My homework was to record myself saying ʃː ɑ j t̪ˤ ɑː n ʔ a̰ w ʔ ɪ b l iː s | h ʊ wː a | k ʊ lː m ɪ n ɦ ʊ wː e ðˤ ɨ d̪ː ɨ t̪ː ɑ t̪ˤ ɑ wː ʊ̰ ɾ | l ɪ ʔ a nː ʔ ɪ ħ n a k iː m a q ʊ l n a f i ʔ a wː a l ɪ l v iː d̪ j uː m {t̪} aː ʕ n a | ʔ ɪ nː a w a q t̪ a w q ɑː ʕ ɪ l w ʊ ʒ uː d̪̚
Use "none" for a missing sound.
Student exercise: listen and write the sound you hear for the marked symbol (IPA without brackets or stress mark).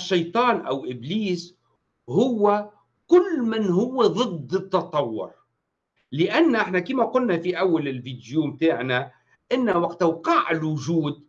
t̪